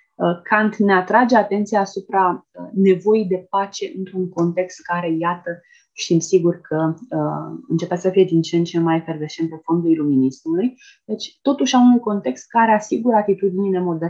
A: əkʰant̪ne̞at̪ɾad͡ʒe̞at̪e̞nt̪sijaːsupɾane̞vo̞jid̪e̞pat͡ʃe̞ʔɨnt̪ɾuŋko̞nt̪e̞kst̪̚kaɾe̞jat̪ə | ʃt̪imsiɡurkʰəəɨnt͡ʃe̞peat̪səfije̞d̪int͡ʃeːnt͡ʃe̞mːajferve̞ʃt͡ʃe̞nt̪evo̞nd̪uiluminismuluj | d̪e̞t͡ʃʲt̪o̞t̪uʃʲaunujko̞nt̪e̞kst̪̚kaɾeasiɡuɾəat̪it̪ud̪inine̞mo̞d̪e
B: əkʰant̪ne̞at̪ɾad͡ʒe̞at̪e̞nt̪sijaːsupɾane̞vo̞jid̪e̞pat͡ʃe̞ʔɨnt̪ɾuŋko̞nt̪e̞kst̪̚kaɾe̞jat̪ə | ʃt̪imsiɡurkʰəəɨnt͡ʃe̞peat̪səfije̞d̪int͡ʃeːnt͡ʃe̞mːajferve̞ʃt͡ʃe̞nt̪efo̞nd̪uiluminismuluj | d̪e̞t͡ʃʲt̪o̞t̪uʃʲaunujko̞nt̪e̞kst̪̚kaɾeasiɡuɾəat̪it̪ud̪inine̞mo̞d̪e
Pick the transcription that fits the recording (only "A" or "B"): B